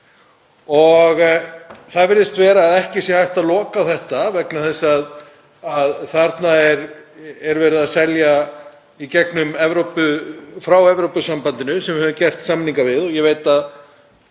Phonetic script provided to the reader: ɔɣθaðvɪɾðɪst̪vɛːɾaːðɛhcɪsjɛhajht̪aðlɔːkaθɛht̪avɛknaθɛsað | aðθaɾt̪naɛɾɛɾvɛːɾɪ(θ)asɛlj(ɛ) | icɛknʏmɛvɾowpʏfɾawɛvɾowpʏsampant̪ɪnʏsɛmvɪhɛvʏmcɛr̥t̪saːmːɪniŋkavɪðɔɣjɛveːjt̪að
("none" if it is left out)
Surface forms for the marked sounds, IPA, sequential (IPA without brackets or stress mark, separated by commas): ð, a